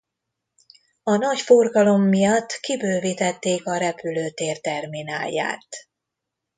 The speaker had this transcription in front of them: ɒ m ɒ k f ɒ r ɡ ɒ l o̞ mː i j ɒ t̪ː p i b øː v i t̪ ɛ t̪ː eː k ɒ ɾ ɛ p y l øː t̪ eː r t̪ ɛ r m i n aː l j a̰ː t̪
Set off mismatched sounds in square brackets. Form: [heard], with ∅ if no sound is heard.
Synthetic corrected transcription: ɒ [n] ɒ [c] f [o] r ɡ ɒ l o̞ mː i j ɒ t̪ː [k] i b øː v i t̪ ɛ t̪ː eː k ɒ ɾ ɛ p y l øː t̪ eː r t̪ ɛ r m i n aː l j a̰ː t̪

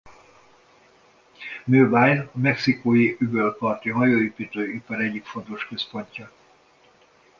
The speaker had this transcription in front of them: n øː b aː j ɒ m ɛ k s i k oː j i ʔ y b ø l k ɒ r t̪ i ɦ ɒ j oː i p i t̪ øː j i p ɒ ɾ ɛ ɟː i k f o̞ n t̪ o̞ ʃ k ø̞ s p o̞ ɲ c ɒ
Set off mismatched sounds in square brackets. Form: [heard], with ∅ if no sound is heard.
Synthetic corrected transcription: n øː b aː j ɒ m ɛ k s i k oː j i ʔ y b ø l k ɒ r t̪ i ɦ ɒ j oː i p i t̪ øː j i p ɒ ɾ ɛ ɟː i k f o̞ n t̪ o̞ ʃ k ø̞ s p o̞ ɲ c ɒ

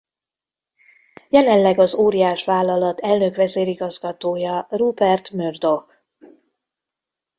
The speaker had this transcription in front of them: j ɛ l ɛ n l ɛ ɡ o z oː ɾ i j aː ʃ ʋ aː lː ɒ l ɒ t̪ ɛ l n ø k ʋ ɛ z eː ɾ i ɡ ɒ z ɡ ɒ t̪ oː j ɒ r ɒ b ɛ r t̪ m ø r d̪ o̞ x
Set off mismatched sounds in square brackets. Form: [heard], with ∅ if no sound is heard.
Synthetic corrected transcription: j ɛ l ɛ n l ɛ ɡ [ɒ] z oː ɾ i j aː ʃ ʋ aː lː ɒ l ɒ t̪ ɛ l n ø k ʋ ɛ z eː ɾ i ɡ ɒ z ɡ ɒ t̪ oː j ɒ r [u] b ɛ r t̪ m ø r d̪ o̞ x

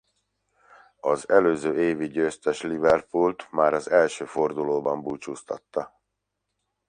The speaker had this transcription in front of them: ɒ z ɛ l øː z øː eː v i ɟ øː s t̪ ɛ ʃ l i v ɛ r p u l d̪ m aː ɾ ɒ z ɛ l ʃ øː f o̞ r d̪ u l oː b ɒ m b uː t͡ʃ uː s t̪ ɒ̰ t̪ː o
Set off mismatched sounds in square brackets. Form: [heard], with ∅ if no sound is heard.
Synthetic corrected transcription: ɒ z ɛ l øː z øː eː v i ɟ øː s t̪ ɛ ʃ l i v ɛ r p u l [t̪] m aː ɾ ɒ z ɛ l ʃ øː f o̞ r d̪ u l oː b ɒ m b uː t͡ʃ uː s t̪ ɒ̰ t̪ː [ɒ]

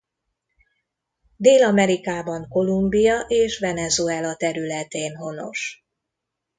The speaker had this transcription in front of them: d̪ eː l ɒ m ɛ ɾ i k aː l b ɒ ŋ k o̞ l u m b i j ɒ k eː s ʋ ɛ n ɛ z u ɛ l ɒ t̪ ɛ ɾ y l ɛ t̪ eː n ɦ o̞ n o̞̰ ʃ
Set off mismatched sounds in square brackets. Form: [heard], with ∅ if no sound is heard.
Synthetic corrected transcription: d̪ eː l ɒ m ɛ ɾ i k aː [∅] b ɒ ŋ k o̞ l u m b i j ɒ [ʔ] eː [ʃ] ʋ ɛ n ɛ z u ɛ l ɒ t̪ ɛ ɾ y l ɛ t̪ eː n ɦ o̞ n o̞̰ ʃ

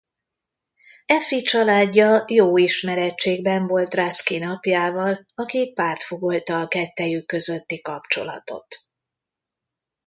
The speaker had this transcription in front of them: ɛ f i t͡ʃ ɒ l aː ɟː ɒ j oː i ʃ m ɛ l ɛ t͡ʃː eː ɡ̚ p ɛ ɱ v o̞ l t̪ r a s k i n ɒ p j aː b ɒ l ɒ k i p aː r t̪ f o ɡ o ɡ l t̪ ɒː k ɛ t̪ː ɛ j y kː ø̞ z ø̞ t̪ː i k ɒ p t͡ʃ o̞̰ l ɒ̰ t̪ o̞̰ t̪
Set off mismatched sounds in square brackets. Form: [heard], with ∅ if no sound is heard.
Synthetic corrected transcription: ɛ f i t͡ʃ ɒ l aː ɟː ɒ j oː i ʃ m ɛ [ɾ] ɛ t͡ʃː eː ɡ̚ [b] ɛ ɱ v o̞ l t̪ r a s k i n ɒ p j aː [v] ɒ l ɒ k i p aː r t̪ f o ɡ o [∅] l t̪ ɒː k ɛ t̪ː ɛ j y kː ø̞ z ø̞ t̪ː i k ɒ p t͡ʃ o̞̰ l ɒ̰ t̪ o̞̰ t̪

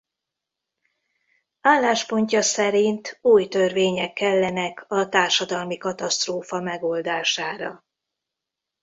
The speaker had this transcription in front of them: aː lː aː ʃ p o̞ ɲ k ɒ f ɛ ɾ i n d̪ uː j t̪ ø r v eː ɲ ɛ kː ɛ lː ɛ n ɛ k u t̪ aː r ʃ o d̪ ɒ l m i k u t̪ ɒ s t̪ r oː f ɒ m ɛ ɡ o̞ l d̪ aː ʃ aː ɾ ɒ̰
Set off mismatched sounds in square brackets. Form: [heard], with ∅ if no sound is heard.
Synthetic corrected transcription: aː lː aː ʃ p o̞ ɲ [c] ɒ [s] ɛ ɾ i n [t̪] uː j t̪ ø r v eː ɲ ɛ kː ɛ lː ɛ n ɛ k [ɒ] t̪ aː r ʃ [ɒ] d̪ ɒ l m i k [ɒ] t̪ ɒ s t̪ r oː f ɒ m ɛ ɡ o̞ l d̪ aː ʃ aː ɾ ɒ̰

